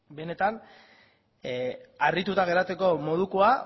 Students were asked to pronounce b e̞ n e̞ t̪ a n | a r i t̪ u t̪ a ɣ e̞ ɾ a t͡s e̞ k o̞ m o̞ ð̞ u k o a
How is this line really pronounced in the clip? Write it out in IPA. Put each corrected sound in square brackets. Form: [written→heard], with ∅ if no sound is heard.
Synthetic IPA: b e̞ n e̞ t̪ a n | a r i t̪ u t̪ a ɣ e̞ ɾ a t͡s e̞ k o̞ m o̞ ð̞ u k o a